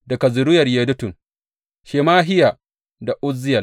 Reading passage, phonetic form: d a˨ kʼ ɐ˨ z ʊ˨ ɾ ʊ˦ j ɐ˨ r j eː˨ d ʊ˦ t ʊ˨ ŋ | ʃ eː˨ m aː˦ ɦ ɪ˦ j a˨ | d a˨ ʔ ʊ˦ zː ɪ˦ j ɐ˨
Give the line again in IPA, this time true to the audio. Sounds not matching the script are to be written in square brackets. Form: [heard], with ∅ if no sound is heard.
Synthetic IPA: d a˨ [k] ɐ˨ z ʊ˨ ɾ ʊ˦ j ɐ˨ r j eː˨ d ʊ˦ t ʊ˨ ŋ | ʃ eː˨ m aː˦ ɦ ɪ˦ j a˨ | d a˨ ʔ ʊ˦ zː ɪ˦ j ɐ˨